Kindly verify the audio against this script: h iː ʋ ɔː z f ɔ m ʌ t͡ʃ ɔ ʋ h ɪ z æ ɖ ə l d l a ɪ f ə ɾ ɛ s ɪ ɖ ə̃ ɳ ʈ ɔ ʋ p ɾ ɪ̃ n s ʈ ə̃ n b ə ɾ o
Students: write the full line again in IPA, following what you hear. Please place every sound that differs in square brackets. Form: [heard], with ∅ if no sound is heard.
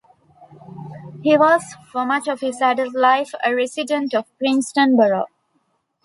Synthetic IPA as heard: h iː ʋ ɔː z f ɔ m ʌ t͡ʃ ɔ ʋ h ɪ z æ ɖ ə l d l a ɪ f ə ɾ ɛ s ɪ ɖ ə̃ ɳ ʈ ɔ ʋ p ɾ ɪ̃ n s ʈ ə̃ n b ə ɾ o